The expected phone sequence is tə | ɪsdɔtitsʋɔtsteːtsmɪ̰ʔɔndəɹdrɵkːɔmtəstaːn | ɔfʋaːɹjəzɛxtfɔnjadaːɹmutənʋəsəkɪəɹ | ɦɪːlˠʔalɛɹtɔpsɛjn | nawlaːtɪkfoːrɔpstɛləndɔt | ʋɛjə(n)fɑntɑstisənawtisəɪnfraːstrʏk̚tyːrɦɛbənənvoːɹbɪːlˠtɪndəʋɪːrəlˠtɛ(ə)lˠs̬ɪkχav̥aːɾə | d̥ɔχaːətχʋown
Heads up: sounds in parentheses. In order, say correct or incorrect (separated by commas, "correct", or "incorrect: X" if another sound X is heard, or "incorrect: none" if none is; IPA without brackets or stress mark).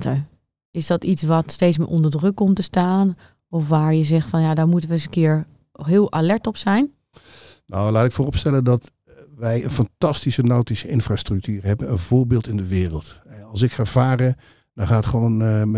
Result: correct, incorrect: ɑ